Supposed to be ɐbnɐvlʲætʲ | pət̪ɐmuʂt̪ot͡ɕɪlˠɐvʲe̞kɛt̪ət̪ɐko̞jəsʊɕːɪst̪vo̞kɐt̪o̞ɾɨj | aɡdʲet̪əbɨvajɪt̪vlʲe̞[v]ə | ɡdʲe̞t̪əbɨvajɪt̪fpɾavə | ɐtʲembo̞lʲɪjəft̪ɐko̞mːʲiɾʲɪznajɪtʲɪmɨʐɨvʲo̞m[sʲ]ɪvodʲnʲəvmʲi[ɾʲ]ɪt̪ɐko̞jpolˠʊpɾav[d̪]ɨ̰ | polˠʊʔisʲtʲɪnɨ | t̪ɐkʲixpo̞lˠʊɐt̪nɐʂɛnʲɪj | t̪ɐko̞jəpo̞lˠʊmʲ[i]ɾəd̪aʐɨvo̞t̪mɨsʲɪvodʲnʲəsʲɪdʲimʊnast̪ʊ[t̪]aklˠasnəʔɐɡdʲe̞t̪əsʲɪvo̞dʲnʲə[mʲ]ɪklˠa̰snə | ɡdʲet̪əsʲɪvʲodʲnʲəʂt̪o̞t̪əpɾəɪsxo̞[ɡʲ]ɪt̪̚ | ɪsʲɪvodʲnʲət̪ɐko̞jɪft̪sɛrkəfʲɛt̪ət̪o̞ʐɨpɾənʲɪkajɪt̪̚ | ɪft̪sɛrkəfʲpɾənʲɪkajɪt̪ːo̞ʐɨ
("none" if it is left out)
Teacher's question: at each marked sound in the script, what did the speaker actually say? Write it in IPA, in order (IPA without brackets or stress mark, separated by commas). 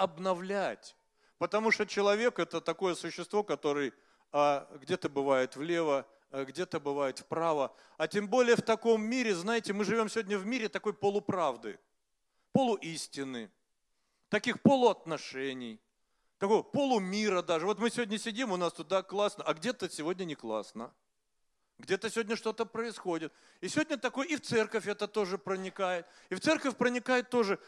v, sʲ, ɾʲ, d̪, i, d̪, nʲ, dʲ